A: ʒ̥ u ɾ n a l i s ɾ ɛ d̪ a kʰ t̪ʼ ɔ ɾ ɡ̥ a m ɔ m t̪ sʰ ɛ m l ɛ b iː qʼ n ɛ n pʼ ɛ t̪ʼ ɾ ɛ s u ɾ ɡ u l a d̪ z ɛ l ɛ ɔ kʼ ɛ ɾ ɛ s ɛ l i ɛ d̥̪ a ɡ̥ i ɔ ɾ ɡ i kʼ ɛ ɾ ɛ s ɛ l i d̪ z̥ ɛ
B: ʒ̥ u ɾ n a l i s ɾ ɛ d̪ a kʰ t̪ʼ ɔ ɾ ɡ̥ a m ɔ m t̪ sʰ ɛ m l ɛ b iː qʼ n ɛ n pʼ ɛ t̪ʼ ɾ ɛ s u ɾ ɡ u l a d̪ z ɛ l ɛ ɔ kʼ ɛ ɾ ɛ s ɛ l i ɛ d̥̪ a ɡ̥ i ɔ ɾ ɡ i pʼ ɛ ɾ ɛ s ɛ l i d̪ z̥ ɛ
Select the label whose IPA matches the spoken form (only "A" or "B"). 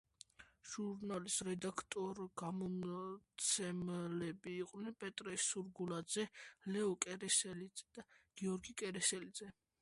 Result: A